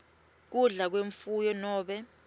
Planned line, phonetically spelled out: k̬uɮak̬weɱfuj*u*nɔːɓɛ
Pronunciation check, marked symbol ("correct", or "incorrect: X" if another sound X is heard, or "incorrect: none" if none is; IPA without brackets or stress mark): incorrect: ɔ